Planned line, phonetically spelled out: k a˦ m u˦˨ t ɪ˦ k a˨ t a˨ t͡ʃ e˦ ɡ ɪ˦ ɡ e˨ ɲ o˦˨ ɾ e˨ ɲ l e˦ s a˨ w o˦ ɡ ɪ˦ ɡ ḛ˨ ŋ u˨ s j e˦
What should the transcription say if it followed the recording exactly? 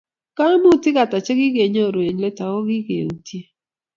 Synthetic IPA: k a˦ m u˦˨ t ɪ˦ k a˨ t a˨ t͡ʃ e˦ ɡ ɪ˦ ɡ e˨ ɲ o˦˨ ɾ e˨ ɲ l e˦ t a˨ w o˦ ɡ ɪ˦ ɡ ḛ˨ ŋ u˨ t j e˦